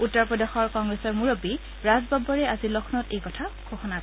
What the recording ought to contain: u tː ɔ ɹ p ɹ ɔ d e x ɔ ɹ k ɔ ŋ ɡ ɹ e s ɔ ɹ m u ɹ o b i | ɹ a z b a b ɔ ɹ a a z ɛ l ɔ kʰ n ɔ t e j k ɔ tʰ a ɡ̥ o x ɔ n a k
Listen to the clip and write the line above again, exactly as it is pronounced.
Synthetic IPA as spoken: u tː ɔ ɹ p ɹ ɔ d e x ɔ ɹ k ɔ ŋ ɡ ɹ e s ɔ ɹ m u ɹ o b i | ɹ a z b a b ɔ ɹ ɛ a z i l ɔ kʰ n ɔ t e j k ɔ tʰ a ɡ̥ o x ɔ n a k